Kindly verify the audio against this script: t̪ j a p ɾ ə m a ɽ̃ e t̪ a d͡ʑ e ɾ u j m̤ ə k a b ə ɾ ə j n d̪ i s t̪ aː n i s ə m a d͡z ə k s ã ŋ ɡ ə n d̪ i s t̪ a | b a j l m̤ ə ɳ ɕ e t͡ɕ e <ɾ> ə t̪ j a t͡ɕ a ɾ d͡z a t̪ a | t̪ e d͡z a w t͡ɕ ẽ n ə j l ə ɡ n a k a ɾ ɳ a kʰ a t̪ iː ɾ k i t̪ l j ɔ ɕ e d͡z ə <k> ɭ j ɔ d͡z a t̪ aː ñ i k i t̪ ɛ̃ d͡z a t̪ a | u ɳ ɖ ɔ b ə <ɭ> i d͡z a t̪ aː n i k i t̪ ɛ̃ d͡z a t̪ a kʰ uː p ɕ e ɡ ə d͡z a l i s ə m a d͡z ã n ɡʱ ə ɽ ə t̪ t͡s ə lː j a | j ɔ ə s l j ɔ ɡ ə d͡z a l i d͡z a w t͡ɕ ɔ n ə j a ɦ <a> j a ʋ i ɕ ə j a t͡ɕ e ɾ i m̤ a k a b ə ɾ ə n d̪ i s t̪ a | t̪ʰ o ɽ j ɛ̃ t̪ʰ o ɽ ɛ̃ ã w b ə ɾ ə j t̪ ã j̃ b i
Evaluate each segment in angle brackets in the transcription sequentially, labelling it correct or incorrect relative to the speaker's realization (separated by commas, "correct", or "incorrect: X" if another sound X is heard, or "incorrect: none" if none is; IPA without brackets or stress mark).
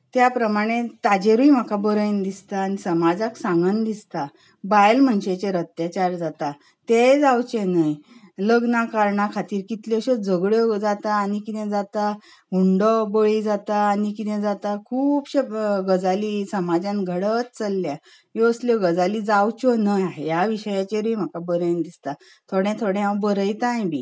correct, incorrect: ɡ, correct, incorrect: e